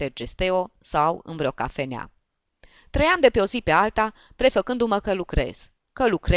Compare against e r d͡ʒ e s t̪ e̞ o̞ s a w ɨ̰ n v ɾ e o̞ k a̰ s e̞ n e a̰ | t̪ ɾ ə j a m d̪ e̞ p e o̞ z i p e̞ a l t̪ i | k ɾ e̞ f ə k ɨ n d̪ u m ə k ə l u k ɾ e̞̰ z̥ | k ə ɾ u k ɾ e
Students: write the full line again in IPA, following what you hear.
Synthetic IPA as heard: e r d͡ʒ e s t̪ e̞ o̞ s a w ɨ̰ n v ɾ e o̞ k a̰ f e̞ n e a̰ | t̪ ɾ ə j a m d̪ e̞ p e o̞ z i p e̞ a l t̪ a | p ɾ e̞ f ə k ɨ n d̪ u m ə k ə l u k ɾ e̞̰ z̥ | k ə l u k ɾ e